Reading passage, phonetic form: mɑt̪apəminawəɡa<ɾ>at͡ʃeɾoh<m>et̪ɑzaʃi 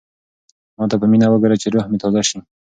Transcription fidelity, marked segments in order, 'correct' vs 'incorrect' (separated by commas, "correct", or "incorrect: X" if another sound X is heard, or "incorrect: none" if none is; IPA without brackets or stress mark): correct, correct